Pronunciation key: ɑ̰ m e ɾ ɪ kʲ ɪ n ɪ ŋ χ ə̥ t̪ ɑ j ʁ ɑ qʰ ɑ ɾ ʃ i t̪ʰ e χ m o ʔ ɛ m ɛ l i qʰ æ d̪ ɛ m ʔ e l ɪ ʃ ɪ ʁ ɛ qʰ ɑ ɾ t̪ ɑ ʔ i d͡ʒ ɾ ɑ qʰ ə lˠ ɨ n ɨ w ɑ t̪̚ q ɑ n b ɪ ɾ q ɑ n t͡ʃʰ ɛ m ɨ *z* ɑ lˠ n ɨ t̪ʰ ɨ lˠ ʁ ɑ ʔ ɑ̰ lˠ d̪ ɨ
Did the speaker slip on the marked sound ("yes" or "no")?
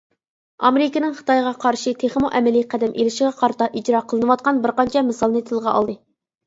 yes